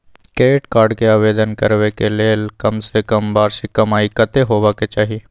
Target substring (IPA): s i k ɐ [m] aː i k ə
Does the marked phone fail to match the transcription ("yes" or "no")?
no